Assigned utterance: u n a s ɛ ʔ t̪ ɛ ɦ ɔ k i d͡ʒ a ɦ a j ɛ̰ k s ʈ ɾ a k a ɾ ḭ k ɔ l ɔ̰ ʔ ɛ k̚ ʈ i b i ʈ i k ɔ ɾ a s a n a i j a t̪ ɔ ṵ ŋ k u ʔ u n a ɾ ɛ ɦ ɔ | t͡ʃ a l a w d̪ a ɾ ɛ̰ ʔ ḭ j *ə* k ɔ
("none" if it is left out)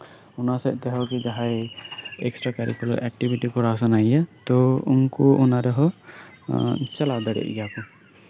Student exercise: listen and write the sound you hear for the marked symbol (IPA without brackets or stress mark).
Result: a